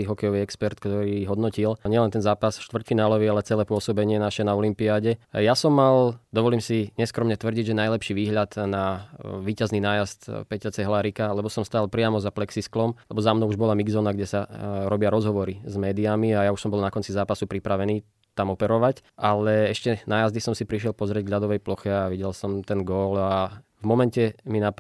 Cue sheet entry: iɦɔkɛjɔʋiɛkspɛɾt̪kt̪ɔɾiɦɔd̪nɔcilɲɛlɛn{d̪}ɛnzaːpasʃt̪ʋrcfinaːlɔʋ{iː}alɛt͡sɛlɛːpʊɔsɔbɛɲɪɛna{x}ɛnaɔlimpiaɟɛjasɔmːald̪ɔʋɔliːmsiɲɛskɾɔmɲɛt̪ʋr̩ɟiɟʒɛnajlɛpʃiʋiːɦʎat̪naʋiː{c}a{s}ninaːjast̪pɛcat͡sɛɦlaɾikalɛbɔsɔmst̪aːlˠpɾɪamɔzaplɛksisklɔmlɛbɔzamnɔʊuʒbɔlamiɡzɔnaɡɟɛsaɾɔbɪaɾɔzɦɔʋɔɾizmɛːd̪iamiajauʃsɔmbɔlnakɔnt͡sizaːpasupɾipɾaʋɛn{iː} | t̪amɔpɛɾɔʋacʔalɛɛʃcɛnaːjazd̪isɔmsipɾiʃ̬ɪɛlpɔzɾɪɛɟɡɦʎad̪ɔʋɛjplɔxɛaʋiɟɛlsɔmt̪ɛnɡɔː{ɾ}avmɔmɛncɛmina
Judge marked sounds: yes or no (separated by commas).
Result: no, no, no, yes, no, yes, no